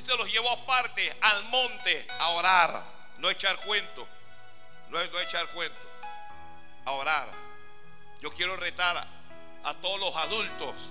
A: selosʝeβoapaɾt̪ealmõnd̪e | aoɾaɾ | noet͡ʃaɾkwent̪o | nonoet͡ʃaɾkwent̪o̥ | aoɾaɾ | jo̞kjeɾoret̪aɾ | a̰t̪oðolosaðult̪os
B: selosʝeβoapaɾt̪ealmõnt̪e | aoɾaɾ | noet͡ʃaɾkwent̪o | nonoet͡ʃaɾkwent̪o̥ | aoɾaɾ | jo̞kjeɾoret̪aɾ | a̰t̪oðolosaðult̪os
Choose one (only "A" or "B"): B